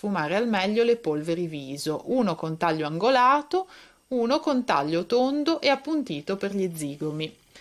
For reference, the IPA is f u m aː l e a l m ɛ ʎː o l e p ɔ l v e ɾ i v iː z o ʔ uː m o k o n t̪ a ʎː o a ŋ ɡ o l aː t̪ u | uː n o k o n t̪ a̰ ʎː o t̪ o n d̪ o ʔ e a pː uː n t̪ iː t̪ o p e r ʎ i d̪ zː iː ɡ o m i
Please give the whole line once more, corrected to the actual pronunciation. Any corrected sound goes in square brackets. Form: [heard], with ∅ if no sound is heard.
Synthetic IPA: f u m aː [ɾ] e a l m ɛ ʎː o l e p [o] l v e ɾ i v iː z o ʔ uː [n] o k o n t̪ a ʎː o a ŋ ɡ o l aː t̪ [o] | uː n o k o n t̪ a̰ ʎː o t̪ o n d̪ o ʔ e a pː [u] n t̪ iː t̪ o p e r ʎ i d̪ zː iː ɡ o m i